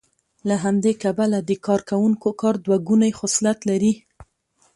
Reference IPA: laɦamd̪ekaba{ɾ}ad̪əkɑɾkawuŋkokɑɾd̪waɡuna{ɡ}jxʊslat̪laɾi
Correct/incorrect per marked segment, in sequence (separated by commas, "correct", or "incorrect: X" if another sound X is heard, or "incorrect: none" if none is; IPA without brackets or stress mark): incorrect: l, incorrect: none